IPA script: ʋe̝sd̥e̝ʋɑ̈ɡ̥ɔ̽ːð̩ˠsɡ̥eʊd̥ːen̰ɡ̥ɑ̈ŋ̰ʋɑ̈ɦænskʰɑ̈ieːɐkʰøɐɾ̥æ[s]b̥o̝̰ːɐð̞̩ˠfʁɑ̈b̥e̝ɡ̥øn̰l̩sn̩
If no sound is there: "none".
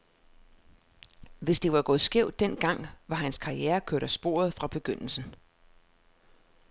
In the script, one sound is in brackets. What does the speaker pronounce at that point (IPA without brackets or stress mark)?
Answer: s